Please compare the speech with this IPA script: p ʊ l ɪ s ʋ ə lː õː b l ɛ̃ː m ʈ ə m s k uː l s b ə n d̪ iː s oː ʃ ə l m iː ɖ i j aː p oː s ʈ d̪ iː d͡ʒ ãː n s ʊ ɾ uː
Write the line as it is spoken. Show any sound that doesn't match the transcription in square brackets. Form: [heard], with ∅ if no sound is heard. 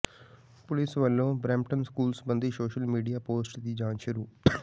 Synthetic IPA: p ʊ l ɪ s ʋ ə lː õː b [ɾ] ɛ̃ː m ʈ ə [n] s k uː l s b ə n d̪ iː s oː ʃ ə l m iː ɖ i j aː p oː s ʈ d̪ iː d͡ʒ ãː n [ʃ] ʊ ɾ uː